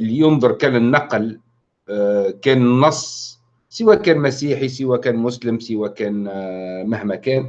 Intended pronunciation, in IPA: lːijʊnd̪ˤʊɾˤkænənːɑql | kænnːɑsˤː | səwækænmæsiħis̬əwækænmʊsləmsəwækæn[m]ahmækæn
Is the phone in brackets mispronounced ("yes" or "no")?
no